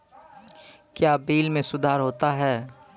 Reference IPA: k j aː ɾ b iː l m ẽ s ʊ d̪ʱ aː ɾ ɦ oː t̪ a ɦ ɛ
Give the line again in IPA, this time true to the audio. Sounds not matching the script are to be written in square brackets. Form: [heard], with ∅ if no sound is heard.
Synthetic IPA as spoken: k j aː [∅] b iː l m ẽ s ʊ d̪ʱ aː ɾ ɦ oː t̪ a ɦ [ɛː]